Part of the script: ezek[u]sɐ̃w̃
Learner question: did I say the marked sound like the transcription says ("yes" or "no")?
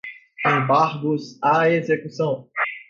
yes